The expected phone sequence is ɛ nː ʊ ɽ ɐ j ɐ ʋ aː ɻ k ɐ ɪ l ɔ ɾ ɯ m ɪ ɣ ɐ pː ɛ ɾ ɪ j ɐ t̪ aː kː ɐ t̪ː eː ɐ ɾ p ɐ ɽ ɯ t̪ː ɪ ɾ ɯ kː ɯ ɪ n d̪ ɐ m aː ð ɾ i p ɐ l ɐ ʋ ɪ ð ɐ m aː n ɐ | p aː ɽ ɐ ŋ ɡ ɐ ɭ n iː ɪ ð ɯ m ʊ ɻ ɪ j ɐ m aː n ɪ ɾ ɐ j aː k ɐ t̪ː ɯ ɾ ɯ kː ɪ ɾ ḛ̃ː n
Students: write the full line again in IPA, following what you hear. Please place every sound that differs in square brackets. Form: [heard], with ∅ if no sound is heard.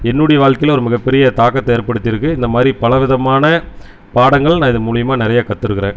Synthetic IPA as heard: ɛ nː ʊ ɽ ɐ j ɐ ʋ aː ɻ k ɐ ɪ l ɔ ɾ ɯ m ɪ ɣ ɐ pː ɛ ɾ ɪ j ɐ t̪ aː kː ɐ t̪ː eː ɐ ɾ p ɐ ɽ ɯ t̪ː ɪ ɾ ɯ kː ɯ ɪ n d̪ ɐ m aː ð ɾ i p ɐ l ɐ ʋ ɪ ð ɐ m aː n ɐ | p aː ɽ ɐ ŋ ɡ ɐ ɭ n [aː] ɪ ð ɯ m ʊ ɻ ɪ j ɐ m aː n ɪ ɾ ɐ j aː k ɐ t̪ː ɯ ɾ ɯ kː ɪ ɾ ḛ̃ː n